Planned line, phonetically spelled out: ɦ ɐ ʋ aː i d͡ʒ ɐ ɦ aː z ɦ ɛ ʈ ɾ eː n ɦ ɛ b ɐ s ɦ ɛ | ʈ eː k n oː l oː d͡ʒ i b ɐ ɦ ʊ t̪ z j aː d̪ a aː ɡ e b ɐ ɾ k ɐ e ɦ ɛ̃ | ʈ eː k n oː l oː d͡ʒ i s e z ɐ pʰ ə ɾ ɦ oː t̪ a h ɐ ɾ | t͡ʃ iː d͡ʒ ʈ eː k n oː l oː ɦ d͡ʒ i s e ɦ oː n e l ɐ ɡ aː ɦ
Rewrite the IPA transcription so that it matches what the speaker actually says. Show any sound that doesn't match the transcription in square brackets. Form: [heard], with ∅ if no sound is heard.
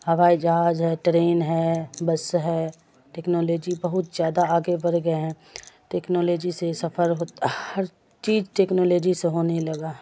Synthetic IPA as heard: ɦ ɐ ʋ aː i d͡ʒ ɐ ɦ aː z ɦ ɛ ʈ ɾ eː n ɦ ɛ b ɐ s ɦ ɛ | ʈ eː k n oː l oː d͡ʒ i b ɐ ɦ ʊ t̪ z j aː d̪ a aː ɡ e b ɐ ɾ [ɡ] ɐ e ɦ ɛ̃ | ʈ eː k n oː l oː d͡ʒ i s e [s] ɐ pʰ ə ɾ ɦ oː t̪ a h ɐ ɾ | t͡ʃ iː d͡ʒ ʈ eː k n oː l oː [∅] d͡ʒ i s e ɦ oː n e l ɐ ɡ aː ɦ